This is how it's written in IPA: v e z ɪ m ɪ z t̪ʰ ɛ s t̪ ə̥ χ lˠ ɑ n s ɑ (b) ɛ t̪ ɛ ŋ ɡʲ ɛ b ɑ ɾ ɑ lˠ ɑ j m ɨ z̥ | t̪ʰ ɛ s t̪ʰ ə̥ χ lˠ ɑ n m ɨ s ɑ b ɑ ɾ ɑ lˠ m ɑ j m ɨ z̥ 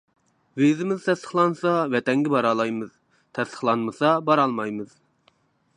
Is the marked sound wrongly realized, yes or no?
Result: yes